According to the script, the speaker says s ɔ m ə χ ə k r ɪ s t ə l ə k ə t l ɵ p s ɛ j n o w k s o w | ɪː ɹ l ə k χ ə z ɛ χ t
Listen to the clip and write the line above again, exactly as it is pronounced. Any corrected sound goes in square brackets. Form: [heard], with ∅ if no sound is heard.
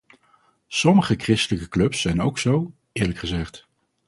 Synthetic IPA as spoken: s ɔ m ə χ ə k r ɪ s t ə l ə k ə [k] l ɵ p s ɛ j n o w k s o w | ɪː ɹ l ə k χ ə z ɛ χ t